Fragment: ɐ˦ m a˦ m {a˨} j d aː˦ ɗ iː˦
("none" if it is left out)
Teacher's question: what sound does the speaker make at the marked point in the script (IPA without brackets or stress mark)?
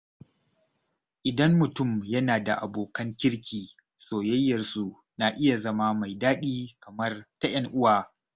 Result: a˨